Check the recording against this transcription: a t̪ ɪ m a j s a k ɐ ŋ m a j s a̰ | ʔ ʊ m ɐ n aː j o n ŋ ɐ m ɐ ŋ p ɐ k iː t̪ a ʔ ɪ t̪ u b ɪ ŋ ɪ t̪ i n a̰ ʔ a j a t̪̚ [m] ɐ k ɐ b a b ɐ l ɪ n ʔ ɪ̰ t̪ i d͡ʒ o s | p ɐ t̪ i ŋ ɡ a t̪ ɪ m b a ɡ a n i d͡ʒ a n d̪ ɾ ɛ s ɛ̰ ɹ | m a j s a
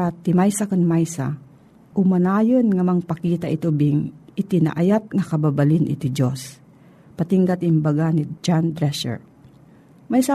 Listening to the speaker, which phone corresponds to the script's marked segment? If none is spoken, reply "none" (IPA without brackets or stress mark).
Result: ŋ